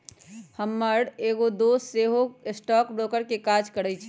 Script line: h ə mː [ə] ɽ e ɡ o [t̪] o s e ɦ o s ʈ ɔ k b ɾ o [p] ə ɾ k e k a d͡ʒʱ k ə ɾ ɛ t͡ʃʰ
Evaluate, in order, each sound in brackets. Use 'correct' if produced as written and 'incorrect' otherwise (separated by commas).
correct, incorrect, incorrect